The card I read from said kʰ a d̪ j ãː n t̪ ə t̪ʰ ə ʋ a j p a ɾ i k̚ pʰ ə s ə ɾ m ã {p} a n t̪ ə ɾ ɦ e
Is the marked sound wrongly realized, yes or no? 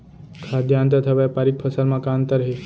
yes